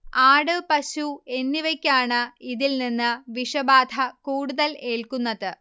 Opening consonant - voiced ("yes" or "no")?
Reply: yes